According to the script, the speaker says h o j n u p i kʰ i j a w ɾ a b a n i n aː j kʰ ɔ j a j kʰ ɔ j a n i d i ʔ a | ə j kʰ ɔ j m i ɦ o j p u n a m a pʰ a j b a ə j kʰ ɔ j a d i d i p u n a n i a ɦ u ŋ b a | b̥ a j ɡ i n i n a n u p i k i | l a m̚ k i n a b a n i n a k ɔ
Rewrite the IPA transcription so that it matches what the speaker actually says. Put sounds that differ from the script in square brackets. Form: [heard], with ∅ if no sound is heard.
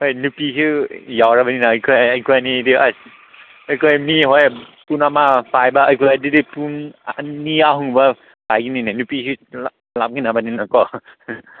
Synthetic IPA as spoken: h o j n u p i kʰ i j a w ɾ a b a n i n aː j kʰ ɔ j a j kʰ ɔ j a n i d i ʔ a | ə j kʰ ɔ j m i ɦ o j p u n a m a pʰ a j b a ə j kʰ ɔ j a d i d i p u n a n i a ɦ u ŋ b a | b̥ a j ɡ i n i n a n u p i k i | l a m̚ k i n a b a n i n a k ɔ